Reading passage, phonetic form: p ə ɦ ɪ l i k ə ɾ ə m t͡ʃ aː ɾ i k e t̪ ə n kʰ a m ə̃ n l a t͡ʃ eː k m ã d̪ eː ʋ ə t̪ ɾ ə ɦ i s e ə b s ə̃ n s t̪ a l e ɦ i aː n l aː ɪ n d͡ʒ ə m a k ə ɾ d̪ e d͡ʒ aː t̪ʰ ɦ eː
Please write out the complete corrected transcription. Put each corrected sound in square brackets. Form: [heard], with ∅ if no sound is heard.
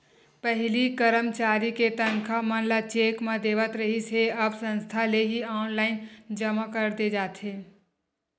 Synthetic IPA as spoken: p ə ɦ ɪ l i k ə ɾ ə m t͡ʃ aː ɾ i k e t̪ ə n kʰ a m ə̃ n l a t͡ʃ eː k m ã d̪ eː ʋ ə t̪ ɾ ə ɦ i s e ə b s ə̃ n s [t̪ʰ] a l e ɦ i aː n l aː ɪ n d͡ʒ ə m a k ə ɾ d̪ e d͡ʒ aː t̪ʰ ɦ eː